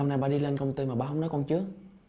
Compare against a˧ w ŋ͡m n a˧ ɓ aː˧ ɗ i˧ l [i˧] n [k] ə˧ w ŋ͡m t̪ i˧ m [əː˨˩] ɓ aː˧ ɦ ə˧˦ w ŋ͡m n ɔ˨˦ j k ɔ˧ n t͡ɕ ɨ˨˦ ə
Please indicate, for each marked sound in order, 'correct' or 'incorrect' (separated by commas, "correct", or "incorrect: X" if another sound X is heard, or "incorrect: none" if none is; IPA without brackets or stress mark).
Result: incorrect: e˧, correct, incorrect: aː˨˩